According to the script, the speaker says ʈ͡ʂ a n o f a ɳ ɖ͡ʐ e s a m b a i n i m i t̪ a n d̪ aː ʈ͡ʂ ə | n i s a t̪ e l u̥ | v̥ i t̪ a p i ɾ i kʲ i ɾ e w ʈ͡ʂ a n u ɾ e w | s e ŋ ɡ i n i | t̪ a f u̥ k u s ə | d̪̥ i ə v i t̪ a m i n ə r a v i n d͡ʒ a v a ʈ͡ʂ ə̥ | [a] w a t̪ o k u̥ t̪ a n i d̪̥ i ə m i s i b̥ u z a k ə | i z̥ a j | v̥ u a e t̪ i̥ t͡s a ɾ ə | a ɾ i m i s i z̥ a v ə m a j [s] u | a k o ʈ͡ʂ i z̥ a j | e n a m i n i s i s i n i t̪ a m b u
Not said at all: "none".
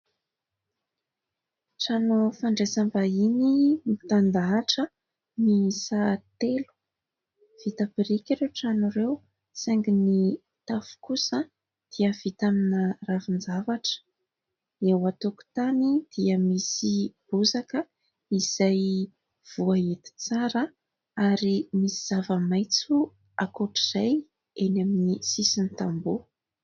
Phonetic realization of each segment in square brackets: e, t͡s

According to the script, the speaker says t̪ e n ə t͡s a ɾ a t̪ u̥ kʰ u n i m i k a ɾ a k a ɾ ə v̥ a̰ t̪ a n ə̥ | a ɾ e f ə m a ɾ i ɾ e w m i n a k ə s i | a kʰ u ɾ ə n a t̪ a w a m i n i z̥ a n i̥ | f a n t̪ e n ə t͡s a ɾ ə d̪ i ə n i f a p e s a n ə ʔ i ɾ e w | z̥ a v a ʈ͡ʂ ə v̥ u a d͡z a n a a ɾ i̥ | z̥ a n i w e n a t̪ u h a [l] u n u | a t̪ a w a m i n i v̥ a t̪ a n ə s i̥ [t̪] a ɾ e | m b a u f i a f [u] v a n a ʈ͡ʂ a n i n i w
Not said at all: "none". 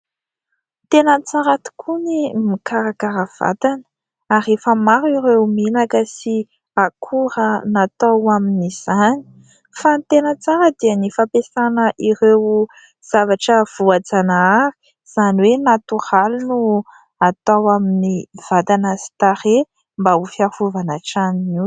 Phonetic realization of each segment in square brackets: l, t̪, u

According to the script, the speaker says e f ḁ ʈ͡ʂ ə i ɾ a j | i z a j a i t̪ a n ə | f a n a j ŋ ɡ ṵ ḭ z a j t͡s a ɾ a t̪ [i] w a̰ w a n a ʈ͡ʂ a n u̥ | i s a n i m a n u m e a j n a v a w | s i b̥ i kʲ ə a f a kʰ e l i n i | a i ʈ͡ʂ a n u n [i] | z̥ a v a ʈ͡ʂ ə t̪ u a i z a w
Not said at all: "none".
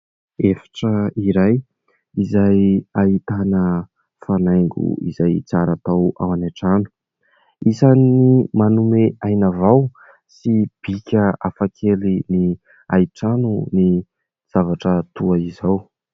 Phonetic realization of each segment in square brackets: a, i

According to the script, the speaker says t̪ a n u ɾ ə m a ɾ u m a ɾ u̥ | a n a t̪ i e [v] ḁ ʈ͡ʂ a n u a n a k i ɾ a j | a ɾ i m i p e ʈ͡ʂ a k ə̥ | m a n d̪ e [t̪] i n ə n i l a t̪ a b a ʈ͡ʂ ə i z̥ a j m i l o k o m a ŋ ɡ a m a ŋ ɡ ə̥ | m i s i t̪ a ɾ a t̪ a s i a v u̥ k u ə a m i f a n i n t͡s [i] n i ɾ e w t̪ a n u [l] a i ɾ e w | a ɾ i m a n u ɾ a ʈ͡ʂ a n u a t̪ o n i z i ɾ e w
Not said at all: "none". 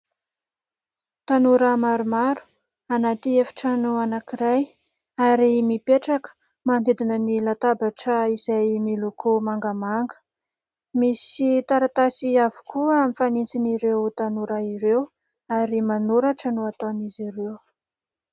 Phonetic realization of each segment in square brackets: f, d̪, i, ɾ

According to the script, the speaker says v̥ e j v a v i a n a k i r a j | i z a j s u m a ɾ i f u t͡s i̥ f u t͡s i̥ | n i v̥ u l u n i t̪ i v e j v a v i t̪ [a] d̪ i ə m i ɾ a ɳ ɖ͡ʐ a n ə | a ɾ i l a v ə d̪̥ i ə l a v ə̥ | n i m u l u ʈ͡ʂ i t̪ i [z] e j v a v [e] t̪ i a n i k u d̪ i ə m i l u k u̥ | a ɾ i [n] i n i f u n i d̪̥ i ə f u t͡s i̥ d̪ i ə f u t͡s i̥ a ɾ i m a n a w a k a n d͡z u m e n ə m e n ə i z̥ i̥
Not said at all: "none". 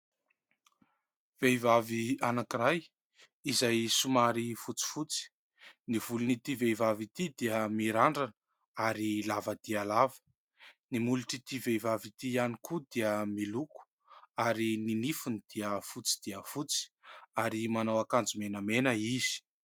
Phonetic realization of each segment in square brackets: i, v, i, n

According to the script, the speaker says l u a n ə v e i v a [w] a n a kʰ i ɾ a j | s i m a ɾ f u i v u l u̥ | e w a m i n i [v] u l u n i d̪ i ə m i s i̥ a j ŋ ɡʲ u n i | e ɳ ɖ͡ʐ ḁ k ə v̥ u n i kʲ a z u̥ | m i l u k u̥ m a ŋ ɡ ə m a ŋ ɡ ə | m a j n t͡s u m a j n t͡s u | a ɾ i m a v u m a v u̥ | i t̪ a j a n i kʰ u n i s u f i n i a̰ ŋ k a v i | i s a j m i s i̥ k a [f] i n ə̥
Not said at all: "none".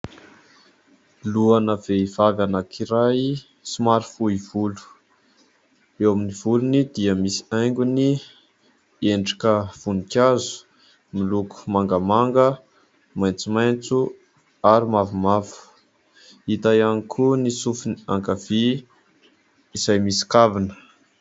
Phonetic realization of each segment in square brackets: v, v, v

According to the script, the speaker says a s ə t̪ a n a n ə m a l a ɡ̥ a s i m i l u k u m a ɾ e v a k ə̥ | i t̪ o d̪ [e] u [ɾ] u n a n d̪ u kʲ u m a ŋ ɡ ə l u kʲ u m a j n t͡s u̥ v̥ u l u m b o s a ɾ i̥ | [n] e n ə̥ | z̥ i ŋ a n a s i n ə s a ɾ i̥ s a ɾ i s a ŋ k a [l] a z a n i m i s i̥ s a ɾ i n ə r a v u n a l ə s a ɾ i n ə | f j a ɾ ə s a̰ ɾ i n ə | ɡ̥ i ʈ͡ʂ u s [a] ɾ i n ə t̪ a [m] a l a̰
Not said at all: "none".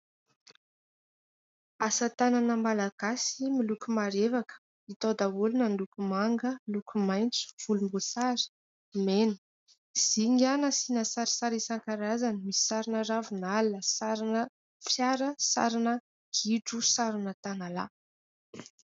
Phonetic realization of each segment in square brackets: a, l, m, ɾ, a, n

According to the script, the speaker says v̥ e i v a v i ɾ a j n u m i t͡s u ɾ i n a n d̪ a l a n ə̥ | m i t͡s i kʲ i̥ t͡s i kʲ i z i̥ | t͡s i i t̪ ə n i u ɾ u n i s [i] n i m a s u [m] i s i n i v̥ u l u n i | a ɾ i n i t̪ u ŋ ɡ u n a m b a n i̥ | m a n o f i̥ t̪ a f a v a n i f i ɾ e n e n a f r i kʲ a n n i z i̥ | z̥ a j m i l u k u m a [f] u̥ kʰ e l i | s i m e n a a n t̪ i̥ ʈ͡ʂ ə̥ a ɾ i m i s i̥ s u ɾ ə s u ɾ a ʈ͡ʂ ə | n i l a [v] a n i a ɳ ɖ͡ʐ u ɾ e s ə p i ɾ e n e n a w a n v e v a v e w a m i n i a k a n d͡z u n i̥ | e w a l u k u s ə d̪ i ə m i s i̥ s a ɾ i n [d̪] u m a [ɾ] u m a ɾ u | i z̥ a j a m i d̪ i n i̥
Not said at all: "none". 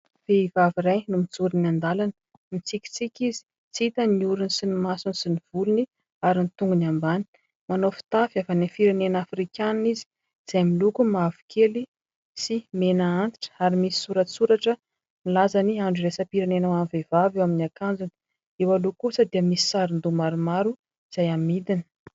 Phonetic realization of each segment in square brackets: i, n, v, z, d̪, ɾ

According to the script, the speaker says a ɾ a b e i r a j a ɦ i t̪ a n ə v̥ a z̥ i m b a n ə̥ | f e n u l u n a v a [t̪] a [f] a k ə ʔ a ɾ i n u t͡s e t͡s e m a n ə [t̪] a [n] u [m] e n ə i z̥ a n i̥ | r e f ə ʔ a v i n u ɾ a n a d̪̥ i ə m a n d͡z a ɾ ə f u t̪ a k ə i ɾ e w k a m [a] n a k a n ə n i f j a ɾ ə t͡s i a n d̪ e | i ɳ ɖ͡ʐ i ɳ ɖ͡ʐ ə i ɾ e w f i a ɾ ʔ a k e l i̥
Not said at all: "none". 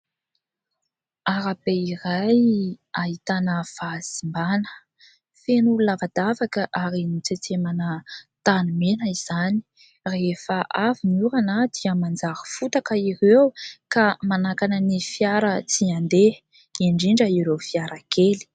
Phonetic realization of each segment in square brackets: d̪, v, t̪, n, m, a

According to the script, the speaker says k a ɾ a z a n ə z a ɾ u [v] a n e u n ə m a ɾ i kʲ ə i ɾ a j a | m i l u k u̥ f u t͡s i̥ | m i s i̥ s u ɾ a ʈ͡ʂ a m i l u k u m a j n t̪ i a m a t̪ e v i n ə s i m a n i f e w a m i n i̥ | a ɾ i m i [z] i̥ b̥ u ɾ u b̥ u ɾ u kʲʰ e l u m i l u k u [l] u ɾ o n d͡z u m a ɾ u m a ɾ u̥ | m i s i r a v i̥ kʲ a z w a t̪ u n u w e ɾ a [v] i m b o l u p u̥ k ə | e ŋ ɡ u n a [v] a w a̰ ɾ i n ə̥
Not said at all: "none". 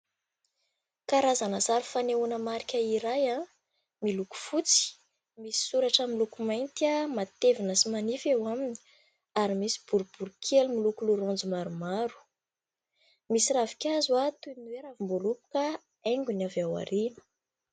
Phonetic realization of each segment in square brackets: f, s, l, v, v

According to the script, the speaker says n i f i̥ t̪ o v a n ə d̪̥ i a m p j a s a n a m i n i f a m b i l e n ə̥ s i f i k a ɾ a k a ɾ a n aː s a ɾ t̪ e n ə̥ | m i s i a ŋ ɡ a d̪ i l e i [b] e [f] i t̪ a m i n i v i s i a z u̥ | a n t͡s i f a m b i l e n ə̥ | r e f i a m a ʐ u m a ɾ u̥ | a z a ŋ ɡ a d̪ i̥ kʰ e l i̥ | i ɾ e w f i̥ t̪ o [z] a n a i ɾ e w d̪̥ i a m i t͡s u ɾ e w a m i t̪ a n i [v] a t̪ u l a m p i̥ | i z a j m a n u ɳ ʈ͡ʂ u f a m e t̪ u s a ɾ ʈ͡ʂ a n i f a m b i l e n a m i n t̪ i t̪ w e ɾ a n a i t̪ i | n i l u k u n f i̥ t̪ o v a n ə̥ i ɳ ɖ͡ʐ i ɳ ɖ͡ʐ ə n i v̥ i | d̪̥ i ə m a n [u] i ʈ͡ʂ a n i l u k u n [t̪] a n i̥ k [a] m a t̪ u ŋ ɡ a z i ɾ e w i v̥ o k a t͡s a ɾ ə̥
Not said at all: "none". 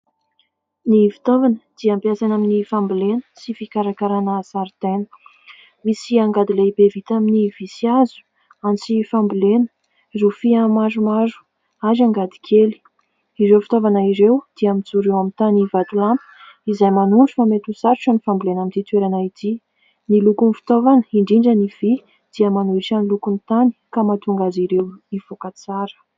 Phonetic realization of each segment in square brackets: b, v, v, v, u, t̪, a

